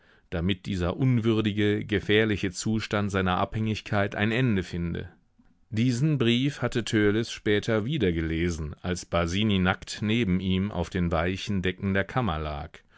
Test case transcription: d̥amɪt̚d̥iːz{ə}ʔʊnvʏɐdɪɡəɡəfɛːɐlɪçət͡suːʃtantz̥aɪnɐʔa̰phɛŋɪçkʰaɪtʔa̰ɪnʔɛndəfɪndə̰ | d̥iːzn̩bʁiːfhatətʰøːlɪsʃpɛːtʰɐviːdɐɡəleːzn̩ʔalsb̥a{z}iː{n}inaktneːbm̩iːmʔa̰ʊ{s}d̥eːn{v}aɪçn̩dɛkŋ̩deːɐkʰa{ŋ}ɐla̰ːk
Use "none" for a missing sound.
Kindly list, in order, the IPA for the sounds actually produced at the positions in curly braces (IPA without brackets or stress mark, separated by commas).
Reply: ɐ, z, n, f, v, m